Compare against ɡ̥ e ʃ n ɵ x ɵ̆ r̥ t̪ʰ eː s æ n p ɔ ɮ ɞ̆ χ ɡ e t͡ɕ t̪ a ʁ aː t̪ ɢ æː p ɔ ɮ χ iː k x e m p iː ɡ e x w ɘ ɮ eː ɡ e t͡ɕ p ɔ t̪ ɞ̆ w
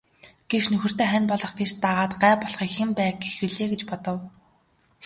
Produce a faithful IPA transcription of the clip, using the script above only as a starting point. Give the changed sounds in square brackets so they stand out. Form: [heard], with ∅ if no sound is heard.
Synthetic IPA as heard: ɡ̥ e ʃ n ɵ x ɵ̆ r̥ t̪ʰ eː [χ] æ n p ɔ ɮ ɞ̆ χ ɡ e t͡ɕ t̪ a ʁ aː t̪ ɢ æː p ɔ ɮ χ iː k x e m p [æː] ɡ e x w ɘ ɮ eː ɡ e t͡ɕ p ɔ t̪ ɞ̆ w